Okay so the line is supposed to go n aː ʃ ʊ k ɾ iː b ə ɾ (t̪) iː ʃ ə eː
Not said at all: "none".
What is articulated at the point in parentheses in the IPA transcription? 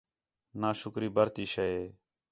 t̪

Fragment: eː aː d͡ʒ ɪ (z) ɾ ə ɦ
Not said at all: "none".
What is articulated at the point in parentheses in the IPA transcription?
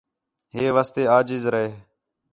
z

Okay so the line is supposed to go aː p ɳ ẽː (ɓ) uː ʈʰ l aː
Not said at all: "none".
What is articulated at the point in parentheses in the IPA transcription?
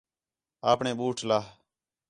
ɓ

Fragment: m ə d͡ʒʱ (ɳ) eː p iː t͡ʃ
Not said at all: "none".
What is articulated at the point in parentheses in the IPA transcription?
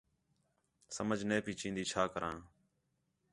n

